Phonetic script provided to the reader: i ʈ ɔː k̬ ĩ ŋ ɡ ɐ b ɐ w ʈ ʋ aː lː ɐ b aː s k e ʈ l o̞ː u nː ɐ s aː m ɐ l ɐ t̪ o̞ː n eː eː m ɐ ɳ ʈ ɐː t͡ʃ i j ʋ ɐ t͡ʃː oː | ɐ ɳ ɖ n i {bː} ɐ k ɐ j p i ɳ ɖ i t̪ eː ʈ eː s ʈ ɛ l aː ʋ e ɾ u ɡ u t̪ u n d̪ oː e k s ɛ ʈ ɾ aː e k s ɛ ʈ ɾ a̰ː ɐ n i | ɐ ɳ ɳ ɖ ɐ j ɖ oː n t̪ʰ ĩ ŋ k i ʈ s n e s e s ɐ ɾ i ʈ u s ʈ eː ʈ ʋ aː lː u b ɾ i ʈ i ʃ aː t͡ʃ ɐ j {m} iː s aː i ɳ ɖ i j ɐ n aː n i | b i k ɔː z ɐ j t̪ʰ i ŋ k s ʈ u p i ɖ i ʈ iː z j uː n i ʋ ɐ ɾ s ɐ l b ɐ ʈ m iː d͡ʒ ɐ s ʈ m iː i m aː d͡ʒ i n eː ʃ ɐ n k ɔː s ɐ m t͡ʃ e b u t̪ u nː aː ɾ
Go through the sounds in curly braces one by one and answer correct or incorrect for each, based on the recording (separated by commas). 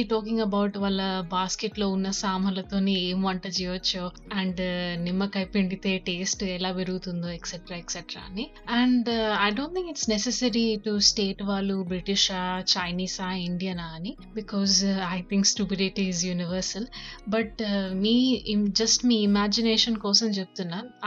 incorrect, incorrect